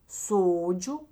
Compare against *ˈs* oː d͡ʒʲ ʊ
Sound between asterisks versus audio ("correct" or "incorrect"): correct